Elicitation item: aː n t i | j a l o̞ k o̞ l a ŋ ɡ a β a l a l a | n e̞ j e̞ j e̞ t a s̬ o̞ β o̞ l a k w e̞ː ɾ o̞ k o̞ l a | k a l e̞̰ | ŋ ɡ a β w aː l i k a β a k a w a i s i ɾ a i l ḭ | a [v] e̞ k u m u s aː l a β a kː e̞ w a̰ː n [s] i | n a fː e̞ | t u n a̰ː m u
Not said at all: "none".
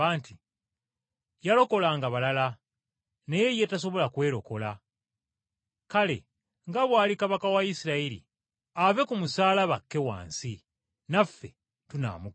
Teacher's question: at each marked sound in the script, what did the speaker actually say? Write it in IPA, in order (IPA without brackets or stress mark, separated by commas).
v, s